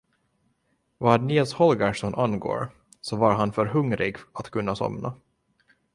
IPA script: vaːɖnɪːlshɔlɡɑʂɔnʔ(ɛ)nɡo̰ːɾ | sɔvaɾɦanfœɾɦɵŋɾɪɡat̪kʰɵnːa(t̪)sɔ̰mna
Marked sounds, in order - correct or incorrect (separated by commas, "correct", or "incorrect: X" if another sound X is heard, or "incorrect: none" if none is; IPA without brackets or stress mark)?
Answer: incorrect: a, incorrect: none